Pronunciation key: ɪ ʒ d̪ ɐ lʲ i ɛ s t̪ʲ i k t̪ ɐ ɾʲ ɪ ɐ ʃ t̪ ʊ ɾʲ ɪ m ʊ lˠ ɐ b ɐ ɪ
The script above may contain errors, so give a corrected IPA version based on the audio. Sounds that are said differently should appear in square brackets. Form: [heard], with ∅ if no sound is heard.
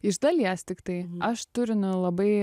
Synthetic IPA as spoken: ɪ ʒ d̪ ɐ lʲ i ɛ s t̪ʲ [ɪ] k t̪ ɐ [∅] ɪ ɐ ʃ t̪ ʊ ɾʲ ɪ [n] ʊ lˠ ɐ b ɐ ɪ